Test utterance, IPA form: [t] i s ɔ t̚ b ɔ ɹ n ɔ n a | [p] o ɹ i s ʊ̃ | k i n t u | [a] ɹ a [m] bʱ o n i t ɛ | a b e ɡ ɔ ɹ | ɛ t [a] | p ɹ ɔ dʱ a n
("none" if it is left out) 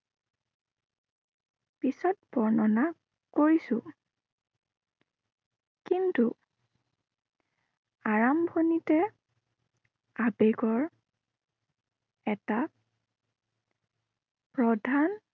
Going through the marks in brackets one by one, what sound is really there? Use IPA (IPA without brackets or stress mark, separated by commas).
p, k, a, m, a